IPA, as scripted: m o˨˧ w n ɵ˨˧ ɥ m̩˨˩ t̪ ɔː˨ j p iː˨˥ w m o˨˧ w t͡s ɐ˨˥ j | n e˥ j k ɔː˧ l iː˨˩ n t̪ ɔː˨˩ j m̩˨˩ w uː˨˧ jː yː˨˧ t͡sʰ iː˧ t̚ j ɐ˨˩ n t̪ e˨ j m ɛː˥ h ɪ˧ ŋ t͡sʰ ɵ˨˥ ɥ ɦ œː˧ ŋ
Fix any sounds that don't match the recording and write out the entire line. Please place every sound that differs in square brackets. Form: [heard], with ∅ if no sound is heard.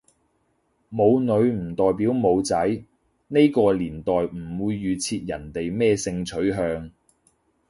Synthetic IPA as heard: m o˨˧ w n ɵ˨˧ ɥ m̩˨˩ t̪ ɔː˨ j p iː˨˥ w m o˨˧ w t͡s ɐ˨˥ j | n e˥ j k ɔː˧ l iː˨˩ n t̪ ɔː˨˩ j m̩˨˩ w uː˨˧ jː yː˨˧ t͡sʰ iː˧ t̚ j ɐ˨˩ n t̪ e˨ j m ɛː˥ [s] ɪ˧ ŋ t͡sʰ ɵ˨˥ ɥ ɦ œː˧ ŋ